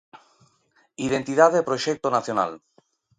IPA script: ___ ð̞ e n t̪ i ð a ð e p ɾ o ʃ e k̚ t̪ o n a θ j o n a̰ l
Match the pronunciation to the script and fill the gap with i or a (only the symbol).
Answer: i